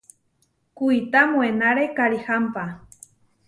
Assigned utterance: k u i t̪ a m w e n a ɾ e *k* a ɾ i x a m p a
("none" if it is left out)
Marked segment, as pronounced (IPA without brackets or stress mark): k